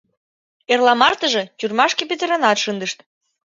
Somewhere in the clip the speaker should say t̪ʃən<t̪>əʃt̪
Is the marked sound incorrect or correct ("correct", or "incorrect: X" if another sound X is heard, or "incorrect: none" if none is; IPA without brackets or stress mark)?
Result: incorrect: d̪